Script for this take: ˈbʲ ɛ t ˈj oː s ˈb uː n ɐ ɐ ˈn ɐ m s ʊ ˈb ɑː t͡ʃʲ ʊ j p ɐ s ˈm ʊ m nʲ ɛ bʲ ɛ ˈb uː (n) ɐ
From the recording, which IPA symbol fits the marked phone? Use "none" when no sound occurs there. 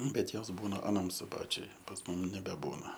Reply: n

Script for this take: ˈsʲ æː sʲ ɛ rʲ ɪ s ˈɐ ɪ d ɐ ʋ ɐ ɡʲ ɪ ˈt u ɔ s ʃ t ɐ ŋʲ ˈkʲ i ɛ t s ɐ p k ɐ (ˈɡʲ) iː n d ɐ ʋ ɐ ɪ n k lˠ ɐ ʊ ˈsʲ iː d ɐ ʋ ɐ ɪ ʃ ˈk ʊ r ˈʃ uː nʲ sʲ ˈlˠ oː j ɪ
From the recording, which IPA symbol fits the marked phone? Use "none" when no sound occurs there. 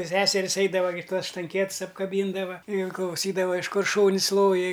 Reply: bʲ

